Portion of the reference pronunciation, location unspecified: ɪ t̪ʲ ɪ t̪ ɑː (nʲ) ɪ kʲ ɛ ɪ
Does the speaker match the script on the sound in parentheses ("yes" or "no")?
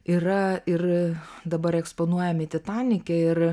yes